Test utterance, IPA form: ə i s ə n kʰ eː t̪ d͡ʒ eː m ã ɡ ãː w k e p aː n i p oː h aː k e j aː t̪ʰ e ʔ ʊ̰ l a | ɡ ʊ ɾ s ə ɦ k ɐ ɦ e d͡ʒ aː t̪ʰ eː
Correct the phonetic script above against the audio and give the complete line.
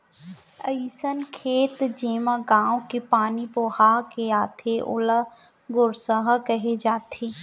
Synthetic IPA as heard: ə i s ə n kʰ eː t̪ d͡ʒ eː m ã ɡ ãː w k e p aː n i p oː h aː k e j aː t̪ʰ e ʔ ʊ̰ l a | ɡ ʊ ɾ s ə ɦ k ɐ ɦ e d͡ʒ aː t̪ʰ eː